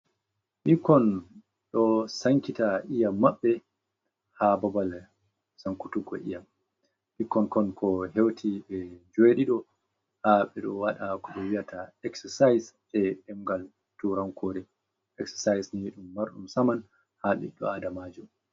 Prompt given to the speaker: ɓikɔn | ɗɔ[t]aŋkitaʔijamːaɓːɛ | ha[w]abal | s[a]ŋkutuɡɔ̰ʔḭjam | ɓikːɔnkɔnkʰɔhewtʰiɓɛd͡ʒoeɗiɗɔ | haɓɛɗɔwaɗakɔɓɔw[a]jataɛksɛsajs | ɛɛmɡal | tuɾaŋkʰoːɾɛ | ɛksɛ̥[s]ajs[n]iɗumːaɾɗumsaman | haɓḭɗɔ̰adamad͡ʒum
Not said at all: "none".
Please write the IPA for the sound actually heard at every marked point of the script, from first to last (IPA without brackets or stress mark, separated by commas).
s, b, a, i, s, n